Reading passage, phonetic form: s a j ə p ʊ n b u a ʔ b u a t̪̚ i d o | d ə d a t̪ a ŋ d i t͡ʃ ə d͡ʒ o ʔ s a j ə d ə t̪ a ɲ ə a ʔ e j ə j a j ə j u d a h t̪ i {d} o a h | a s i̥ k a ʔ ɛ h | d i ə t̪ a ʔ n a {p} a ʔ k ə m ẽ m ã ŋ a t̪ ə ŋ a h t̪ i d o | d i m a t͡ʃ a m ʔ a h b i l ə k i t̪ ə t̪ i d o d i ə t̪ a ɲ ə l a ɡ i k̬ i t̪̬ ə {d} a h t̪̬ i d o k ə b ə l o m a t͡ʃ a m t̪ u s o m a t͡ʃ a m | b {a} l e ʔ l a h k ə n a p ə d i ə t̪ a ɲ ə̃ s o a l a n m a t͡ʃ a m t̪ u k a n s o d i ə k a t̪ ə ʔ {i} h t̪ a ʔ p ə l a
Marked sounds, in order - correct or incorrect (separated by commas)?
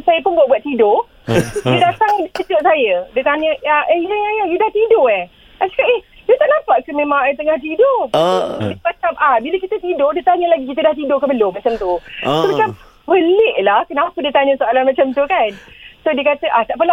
correct, correct, correct, incorrect, incorrect